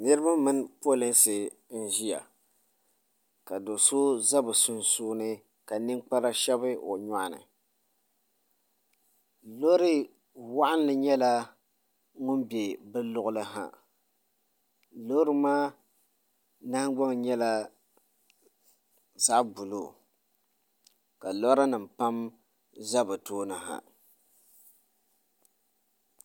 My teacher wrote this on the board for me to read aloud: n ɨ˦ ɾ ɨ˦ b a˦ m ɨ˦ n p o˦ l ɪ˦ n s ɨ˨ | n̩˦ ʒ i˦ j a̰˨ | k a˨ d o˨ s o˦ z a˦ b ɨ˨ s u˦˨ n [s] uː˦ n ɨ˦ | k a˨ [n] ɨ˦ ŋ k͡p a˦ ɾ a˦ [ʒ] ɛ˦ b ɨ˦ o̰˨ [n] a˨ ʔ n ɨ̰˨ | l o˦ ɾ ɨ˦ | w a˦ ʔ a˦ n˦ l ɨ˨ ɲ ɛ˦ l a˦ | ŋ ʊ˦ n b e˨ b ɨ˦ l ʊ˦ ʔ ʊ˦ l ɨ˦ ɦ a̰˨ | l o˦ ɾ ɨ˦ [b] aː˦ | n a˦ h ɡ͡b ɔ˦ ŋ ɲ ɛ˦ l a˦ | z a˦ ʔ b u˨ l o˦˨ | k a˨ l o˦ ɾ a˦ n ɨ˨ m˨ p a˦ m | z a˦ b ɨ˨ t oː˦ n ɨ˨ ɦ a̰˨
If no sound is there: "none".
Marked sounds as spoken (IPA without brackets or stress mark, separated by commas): s, n, ʃ, ɲ, m